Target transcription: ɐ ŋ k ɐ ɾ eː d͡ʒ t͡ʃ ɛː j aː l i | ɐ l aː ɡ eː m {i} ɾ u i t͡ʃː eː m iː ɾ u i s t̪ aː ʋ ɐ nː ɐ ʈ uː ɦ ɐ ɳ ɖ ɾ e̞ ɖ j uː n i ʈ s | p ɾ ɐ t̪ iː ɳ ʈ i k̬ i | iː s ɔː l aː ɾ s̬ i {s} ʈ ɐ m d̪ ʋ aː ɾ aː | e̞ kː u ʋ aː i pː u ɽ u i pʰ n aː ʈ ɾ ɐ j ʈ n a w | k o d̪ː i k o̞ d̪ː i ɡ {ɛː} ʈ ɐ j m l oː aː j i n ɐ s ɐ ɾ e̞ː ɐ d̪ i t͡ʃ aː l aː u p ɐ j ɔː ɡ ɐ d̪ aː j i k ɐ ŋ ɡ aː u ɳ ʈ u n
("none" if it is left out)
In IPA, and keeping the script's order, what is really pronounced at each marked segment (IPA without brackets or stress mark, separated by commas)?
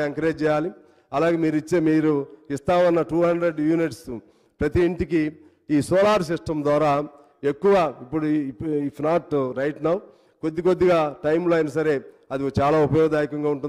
iː, ʂ, aː